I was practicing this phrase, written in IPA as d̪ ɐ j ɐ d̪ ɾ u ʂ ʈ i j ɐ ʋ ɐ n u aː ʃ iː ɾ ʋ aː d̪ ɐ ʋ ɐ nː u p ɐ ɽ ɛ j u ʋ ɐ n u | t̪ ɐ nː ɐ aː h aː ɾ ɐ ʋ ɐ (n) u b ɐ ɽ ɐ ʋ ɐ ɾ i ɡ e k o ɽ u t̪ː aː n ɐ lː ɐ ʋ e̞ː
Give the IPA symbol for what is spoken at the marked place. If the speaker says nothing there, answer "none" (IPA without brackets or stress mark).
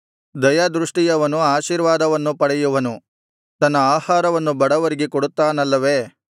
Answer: nː